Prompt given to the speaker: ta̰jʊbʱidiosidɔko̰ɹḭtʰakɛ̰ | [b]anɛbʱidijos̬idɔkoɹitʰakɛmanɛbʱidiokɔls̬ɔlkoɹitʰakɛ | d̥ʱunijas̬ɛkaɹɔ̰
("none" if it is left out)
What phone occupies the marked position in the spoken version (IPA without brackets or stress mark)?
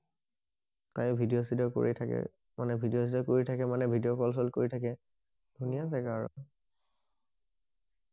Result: m